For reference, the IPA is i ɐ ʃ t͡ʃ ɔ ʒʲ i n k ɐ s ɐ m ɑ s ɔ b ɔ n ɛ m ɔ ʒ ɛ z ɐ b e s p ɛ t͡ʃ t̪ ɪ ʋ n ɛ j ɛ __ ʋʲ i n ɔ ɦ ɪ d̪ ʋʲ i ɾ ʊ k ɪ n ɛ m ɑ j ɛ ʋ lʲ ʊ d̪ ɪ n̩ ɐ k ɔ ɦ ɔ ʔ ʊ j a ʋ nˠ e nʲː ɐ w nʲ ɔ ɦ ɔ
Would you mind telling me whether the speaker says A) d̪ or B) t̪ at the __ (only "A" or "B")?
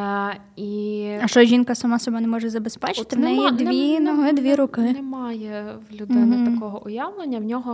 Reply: A